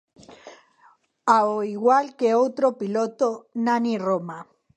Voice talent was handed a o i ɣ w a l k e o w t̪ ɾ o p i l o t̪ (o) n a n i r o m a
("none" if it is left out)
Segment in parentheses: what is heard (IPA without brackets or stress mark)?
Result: o